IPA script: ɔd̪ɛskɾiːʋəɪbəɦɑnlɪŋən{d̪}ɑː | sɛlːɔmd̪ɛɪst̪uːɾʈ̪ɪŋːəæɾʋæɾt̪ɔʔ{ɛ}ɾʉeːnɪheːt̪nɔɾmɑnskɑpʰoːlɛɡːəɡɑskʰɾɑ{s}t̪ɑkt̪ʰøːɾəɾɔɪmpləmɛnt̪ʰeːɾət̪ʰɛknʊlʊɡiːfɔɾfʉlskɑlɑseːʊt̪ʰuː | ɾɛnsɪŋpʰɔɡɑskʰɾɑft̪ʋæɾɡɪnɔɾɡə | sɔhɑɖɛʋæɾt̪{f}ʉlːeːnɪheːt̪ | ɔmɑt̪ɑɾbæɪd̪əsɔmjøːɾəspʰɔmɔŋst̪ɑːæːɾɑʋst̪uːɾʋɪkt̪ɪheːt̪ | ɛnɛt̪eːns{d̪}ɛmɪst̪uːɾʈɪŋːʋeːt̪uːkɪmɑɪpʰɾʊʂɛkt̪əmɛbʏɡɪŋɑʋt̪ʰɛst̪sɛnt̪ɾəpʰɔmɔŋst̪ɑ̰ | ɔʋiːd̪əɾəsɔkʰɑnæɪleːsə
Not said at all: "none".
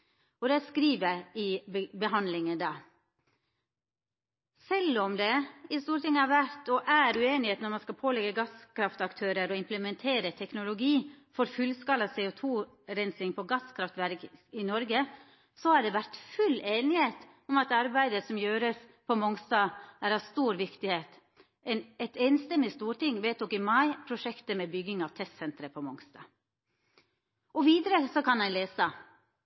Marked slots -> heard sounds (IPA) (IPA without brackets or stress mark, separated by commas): d̪, æ, f, f, t̪